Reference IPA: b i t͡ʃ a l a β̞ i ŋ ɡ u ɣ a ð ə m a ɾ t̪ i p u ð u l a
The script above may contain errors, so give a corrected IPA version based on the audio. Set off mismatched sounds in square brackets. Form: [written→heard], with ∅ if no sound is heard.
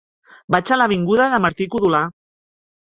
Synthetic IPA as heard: b [i→a] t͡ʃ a l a β̞ i ŋ ɡ u [ɣ→ð] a ð ə m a ɾ t̪ i [p→k] u ð u l a